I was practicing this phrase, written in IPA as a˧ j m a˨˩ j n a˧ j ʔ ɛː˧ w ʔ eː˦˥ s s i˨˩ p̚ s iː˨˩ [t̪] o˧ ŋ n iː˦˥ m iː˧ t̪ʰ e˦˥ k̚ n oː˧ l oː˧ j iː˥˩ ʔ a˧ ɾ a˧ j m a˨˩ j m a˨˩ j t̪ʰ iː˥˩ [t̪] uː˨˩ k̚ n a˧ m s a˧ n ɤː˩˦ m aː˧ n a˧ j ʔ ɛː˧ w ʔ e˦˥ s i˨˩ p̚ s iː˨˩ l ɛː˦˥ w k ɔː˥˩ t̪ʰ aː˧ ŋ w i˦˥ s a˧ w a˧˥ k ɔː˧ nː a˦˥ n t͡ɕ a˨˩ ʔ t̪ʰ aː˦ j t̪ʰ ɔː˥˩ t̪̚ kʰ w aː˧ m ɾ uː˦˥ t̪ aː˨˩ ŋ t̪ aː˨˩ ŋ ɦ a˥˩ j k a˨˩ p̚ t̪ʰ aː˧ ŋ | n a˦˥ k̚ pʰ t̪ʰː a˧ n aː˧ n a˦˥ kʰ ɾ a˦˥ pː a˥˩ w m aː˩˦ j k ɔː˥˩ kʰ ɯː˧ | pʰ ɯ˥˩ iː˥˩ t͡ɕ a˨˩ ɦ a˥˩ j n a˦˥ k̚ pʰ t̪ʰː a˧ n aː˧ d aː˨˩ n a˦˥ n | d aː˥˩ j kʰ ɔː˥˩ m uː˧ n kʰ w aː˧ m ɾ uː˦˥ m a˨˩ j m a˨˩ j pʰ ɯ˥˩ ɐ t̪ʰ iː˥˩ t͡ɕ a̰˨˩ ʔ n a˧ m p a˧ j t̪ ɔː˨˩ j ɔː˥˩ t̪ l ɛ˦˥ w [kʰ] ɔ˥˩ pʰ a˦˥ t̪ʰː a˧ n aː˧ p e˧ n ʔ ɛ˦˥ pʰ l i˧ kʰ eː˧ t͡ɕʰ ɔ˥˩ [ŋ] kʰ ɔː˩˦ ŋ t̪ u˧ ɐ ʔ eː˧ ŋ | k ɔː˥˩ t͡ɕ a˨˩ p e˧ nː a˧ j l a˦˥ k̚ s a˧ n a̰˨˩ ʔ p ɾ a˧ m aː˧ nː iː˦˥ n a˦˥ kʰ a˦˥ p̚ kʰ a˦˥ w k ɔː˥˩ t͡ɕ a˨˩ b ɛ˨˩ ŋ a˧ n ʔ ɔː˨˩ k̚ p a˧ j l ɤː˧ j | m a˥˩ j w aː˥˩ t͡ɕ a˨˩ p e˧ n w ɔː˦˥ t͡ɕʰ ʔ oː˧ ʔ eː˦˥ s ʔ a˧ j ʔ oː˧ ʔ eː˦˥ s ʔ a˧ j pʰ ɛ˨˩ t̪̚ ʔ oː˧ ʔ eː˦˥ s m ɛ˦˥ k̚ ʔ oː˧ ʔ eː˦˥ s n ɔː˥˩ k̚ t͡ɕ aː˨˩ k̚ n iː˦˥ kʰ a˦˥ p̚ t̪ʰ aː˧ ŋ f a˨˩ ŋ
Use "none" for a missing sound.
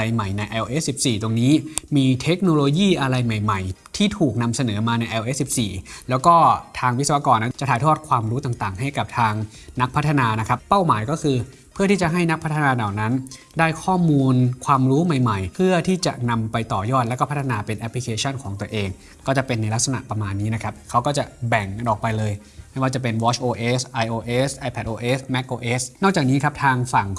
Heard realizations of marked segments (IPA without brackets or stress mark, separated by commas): t̪, t̪ʰ, k, n